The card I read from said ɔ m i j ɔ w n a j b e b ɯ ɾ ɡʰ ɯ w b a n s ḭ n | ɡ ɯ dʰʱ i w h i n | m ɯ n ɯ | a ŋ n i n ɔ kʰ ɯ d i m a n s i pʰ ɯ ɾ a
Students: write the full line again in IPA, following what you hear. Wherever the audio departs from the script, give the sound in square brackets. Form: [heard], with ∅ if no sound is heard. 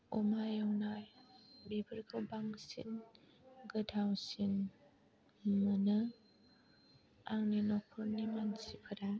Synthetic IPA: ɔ m [a] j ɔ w n a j b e b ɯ ɾ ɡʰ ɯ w b a [ŋ] s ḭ n | ɡ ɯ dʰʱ [a] w [s] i n | m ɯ n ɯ | a ŋ n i n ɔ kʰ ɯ [n] i m a n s i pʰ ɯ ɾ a